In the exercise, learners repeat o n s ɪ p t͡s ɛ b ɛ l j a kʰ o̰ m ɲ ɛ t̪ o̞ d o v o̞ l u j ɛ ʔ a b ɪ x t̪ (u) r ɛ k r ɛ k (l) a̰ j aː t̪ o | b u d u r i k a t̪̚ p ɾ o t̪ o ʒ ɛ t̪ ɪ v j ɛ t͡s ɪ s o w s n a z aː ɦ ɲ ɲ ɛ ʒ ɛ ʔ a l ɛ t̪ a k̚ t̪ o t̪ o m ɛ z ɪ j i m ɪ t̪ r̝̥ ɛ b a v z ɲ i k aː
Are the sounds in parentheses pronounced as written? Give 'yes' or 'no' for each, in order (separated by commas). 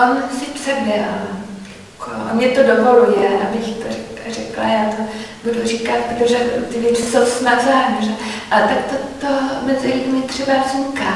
no, yes